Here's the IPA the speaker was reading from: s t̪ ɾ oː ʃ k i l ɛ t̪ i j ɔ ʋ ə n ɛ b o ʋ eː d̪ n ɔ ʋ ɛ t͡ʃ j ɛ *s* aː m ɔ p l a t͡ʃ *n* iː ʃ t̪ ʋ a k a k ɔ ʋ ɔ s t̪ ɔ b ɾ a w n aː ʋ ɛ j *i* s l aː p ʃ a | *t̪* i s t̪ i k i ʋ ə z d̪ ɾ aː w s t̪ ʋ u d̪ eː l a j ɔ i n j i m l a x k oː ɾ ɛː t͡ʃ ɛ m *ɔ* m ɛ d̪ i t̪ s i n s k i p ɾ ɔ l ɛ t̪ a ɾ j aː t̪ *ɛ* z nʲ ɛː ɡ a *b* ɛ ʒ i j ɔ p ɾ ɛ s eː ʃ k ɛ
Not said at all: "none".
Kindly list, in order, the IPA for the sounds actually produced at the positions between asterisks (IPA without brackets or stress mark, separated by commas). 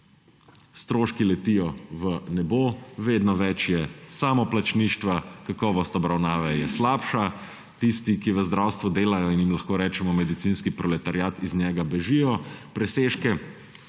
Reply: s, n, ɛ, t̪, ɔ, i, b